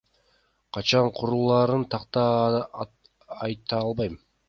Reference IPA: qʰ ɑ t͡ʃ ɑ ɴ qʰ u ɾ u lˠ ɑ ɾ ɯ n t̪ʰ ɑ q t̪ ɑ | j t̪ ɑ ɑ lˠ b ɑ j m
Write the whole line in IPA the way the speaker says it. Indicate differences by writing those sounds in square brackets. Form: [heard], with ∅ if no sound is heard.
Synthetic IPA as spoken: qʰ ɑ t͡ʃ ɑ ɴ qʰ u ɾ u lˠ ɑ ɾ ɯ n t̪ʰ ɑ q t̪ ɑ | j t̪ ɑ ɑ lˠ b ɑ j m

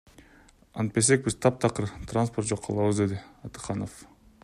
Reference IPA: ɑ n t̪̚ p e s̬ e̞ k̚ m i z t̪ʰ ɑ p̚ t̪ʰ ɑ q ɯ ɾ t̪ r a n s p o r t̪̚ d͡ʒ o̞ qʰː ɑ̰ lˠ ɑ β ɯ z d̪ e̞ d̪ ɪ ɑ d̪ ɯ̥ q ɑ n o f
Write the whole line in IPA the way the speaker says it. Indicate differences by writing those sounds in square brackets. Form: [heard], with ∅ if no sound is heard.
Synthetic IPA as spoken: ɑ n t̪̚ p e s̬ e̞ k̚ [b] i z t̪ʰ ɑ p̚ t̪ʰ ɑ q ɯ ɾ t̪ r a n s p o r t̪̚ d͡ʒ o̞ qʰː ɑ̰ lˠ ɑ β ɯ z d̪ e̞ d̪ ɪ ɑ [t̪] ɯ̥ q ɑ n o f

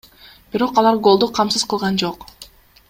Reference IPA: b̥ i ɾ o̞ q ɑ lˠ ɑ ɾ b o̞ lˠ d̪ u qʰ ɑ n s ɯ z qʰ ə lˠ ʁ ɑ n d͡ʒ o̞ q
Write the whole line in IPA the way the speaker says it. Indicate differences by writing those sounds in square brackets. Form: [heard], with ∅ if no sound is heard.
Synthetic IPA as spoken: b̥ i ɾ o̞ q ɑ lˠ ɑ ɾ [ɡ] o̞ lˠ d̪ u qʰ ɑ [m] s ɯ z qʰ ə lˠ ʁ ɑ n d͡ʒ o̞ q

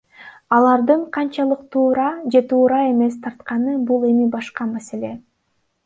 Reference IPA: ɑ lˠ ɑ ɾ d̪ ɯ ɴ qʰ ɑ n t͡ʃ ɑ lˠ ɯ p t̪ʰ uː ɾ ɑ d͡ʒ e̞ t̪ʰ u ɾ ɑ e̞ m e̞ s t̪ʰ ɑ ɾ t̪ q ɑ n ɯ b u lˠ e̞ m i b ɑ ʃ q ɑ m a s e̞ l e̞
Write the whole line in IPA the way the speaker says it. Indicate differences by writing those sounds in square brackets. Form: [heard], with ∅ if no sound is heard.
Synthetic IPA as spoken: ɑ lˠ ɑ ɾ d̪ ɯ ɴ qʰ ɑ n t͡ʃ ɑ lˠ ɯ [q] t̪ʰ uː ɾ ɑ d͡ʒ e̞ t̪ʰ [uː] ɾ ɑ e̞ m e̞ s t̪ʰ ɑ ɾ t̪ q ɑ n ɯ b u lˠ e̞ m i b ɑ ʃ q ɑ m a s e̞ l e̞

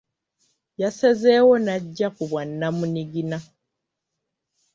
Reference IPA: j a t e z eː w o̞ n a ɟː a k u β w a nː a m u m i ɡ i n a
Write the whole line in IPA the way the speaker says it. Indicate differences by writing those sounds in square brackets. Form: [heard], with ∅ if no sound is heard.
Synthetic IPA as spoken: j a [s] e z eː w o̞ n a ɟː a k u β w a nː a m u [n] i ɡ i n a

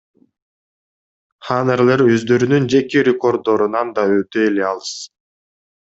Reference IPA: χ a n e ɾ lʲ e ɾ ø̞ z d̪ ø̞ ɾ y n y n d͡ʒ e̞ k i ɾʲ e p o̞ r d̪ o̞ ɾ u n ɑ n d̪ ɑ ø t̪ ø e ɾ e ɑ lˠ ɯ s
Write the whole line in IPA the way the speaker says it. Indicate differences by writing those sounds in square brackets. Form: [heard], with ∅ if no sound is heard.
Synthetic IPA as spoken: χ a n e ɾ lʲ e ɾ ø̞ z d̪ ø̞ ɾ y n y n d͡ʒ e̞ k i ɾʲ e [k] o̞ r d̪ o̞ ɾ u n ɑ n d̪ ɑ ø t̪ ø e [l] e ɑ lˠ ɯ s

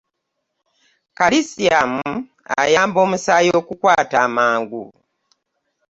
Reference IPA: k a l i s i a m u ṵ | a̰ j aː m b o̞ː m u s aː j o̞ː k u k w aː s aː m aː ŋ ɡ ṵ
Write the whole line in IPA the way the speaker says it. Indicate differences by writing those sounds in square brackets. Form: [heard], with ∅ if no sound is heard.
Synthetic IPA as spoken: k a l i s i a m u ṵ | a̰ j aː m b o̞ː m u s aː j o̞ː k u k w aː [t] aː m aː ŋ ɡ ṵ

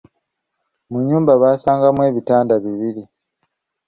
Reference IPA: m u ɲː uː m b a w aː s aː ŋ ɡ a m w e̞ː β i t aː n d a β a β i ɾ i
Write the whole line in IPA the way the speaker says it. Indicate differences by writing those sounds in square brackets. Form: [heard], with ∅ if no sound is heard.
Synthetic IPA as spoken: m u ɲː uː m b a [β] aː s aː ŋ ɡ a m w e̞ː β i t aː n d a β [i] β i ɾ i

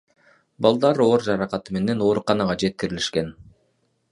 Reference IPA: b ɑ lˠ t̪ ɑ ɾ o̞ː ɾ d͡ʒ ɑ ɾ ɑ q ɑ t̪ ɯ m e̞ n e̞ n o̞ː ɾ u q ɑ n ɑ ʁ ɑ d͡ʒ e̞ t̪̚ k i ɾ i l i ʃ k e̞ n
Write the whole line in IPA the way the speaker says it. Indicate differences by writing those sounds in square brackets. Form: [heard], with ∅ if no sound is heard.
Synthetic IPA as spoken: b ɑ lˠ [d̪] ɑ ɾ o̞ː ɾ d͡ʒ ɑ ɾ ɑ q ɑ t̪ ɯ m e̞ n e̞ n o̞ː ɾ u q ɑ n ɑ ʁ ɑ d͡ʒ e̞ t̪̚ k i ɾ i l i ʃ k e̞ n

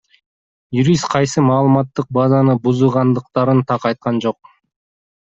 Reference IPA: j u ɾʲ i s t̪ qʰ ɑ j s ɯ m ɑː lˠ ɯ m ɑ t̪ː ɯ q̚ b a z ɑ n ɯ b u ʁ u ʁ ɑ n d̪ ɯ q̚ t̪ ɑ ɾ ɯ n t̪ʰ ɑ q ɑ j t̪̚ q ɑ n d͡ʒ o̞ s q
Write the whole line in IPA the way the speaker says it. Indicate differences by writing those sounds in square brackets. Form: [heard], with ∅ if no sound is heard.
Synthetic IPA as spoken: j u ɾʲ i s t̪ qʰ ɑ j s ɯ m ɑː lˠ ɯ m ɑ t̪ː ɯ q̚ b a z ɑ n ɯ b u [z] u ʁ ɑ n d̪ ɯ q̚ t̪ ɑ ɾ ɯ n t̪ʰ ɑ q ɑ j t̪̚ q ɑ n d͡ʒ o̞ [∅] q

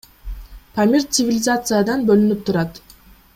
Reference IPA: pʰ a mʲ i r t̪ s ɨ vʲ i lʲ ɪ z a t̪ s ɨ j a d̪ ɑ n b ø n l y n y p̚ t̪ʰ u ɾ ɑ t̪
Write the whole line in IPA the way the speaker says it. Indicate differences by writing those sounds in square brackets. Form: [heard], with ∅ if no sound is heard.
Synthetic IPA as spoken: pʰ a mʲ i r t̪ s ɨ vʲ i lʲ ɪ z a t̪ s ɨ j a d̪ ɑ n b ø [∅] l y n y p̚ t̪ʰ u ɾ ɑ t̪

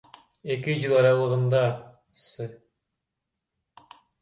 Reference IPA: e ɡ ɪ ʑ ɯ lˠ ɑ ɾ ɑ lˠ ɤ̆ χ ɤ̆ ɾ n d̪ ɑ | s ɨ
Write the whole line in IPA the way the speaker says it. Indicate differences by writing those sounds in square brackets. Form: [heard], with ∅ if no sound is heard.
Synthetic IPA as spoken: e [k] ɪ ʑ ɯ lˠ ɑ ɾ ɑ lˠ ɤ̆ [ʁ] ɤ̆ [∅] n d̪ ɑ | s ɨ

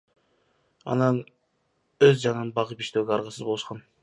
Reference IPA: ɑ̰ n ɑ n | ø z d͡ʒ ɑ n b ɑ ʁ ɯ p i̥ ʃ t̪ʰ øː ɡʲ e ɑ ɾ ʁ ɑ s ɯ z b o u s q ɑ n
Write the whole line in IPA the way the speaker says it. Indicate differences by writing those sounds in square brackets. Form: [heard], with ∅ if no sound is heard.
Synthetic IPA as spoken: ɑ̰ n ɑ n | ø z d͡ʒ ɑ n b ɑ ʁ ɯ p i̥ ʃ [t̪] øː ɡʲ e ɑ ɾ ʁ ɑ s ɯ z b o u [ʃ] q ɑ n

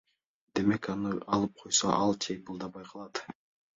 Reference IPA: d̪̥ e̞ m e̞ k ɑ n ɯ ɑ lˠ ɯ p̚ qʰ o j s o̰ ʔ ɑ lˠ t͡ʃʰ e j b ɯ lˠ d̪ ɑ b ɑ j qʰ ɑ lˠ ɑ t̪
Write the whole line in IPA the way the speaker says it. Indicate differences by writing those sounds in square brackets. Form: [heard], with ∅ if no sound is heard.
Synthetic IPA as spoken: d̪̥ e̞ m e̞ k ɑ n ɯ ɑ lˠ ɯ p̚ qʰ o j s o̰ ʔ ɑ lˠ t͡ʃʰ e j b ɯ lˠ d̪ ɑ b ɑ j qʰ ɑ lˠ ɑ t̪

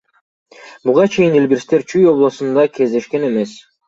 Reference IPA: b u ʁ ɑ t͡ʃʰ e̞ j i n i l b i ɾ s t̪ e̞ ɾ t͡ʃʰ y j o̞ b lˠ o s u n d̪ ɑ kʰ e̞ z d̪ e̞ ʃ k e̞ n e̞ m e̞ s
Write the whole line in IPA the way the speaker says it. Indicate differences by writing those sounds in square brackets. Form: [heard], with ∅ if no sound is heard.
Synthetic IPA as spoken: b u ʁ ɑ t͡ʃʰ e̞ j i n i l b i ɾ s t̪ e̞ ɾ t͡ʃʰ y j o̞ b lˠ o s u n d̪ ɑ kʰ e̞ z d̪ e̞ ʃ k e̞ n e̞ m e̞ s

